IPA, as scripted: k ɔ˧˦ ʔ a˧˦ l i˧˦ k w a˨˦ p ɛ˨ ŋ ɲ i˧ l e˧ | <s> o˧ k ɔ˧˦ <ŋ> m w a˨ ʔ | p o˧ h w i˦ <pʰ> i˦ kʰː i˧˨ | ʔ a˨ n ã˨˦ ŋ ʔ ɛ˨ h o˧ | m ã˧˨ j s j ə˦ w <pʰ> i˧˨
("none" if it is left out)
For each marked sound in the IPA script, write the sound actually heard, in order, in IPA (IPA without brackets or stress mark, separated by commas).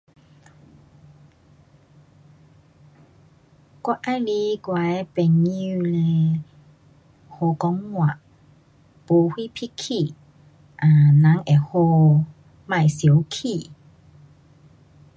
h, ŋ, pʰ, kʰ